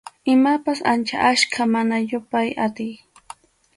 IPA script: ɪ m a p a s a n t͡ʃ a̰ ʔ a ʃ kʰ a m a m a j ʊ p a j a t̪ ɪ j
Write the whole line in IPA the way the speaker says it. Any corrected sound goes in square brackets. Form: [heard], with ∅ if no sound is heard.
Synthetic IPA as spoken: ɪ m a p a s a n t͡ʃ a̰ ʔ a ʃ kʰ a m a [n] a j ʊ p a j a t̪ ɪ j